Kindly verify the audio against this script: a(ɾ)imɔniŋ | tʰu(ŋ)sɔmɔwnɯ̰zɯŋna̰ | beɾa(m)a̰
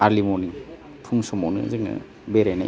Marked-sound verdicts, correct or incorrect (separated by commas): incorrect, correct, incorrect